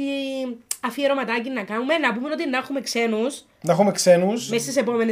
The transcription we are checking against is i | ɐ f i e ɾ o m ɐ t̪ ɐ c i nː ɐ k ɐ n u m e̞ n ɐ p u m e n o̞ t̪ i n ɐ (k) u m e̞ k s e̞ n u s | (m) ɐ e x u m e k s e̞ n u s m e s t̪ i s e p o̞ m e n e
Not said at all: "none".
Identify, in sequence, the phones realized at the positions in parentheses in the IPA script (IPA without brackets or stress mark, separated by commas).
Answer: x, n